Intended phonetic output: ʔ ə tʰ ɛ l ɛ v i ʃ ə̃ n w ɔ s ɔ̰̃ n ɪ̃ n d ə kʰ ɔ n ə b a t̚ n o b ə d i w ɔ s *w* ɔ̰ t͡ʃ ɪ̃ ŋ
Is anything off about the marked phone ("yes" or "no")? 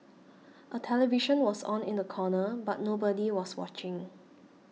no